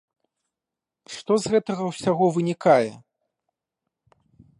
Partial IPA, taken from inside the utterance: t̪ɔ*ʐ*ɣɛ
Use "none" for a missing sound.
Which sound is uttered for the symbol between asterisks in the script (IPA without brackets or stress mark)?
z